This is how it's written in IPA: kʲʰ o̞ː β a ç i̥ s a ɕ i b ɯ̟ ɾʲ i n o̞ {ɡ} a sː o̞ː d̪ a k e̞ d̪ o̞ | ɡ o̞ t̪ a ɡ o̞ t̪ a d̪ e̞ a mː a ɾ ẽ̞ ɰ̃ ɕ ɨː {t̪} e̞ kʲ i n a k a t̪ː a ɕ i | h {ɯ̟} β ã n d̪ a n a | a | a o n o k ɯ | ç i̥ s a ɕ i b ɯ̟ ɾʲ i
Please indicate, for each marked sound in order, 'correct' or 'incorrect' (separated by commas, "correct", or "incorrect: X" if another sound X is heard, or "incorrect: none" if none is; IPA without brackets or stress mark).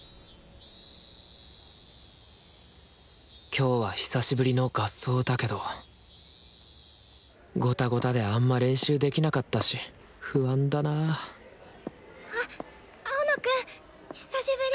correct, incorrect: d̪, correct